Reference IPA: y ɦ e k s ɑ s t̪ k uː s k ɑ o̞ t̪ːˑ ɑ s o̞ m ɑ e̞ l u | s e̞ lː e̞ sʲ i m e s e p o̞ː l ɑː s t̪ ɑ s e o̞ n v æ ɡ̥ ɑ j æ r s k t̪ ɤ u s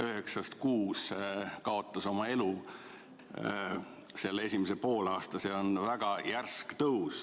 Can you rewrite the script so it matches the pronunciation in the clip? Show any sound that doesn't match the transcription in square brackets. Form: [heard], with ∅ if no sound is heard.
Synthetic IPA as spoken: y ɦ e k s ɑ s t̪ k uː s k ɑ o̞ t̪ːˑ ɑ s o̞ m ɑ e̞ l u | s e̞ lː e̞ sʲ i m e s e p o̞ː l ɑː s t̪ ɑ s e o̞ n v æ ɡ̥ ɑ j æ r s k t̪ ɤ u s